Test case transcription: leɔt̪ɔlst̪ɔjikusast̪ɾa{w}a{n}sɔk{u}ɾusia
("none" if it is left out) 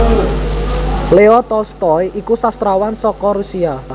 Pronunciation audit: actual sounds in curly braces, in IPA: w, n, ɔ

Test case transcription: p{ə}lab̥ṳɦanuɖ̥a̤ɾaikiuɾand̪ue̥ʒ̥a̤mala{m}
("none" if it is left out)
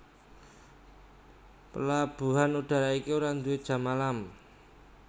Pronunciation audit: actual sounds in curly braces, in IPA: ə, m

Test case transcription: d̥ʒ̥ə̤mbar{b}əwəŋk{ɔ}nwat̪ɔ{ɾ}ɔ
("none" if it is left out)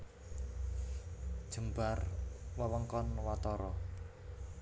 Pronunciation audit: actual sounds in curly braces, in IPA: w, ɔ, ɾ

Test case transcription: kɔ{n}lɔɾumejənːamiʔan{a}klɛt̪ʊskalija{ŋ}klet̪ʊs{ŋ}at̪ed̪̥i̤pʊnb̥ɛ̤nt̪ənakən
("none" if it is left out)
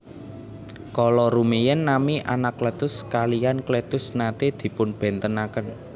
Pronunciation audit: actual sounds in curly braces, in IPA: none, a, n, n

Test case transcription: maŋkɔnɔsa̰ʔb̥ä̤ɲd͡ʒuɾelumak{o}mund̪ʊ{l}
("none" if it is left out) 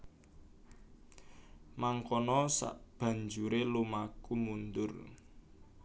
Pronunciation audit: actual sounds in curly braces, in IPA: u, r

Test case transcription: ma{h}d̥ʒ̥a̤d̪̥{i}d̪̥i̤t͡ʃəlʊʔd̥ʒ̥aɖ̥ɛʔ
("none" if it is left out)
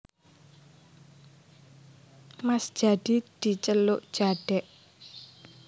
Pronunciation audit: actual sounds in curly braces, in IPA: s, i

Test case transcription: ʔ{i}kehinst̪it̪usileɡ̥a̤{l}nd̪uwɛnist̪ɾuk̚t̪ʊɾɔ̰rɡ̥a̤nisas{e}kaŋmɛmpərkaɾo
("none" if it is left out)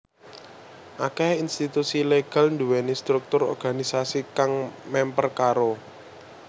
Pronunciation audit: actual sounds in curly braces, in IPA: a, l, i

